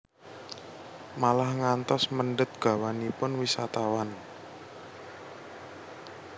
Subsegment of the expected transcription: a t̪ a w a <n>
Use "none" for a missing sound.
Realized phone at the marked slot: n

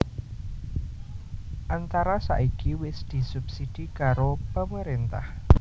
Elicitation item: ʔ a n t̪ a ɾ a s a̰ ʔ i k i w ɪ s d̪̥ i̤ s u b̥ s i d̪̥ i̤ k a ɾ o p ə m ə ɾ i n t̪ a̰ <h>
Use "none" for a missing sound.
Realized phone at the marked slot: h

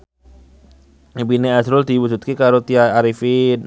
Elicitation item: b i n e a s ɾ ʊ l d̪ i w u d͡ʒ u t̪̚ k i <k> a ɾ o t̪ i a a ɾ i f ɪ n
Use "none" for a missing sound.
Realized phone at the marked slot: k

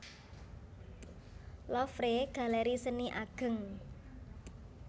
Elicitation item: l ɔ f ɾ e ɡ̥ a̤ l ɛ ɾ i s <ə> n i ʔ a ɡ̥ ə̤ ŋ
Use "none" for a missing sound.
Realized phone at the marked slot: ə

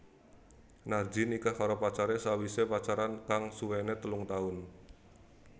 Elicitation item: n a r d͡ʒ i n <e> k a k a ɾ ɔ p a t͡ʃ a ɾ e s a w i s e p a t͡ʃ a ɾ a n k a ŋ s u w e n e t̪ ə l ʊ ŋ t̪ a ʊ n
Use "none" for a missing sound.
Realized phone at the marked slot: i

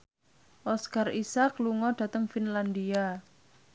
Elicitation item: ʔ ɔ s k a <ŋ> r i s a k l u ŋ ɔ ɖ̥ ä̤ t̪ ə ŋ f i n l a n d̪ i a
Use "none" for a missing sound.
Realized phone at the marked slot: none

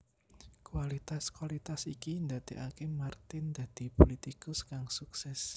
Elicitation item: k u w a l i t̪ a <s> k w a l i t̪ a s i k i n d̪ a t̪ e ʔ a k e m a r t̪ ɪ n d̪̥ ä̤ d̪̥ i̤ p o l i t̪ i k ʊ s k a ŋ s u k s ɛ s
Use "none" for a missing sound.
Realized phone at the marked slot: s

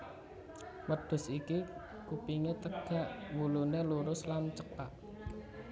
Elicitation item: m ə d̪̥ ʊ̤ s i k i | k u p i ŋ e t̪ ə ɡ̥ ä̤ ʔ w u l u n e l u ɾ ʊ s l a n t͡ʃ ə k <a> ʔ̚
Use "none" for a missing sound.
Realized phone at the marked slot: a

